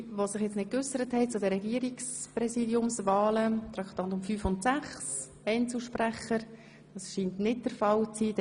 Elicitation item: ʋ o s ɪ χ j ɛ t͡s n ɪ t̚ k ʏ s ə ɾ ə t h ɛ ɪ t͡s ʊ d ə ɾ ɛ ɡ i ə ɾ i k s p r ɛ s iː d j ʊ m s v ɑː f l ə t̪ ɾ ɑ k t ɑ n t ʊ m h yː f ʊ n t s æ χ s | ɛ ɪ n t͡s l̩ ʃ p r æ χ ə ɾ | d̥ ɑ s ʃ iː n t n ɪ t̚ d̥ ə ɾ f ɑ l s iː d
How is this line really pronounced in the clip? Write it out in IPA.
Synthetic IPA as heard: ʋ o s ɪ χ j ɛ t͡s n ɪ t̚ k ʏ s ə ɾ ə t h ɛ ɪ t͡s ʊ d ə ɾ ɛ ɡ i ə ɾ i k s p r ɛ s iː d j ʊ m s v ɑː l ə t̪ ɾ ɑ k t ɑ n t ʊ m f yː f ʊ n t s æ χ s | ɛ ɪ n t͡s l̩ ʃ p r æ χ ə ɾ | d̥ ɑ s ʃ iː n t n ɪ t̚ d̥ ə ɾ f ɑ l t͡s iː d